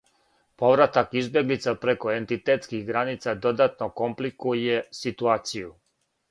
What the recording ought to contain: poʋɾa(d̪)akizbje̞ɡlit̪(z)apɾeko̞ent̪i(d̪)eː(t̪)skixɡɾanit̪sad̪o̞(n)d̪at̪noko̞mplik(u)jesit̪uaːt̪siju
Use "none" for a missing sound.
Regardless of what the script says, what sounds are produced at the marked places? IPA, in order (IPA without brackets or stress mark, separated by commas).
t̪, s, t̪, t̪, none, u